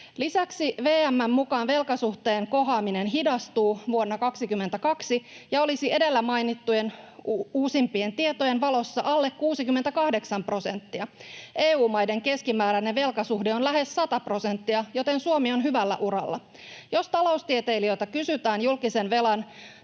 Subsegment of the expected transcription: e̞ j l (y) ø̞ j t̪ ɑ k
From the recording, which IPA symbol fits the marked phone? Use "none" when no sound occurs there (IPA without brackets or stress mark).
i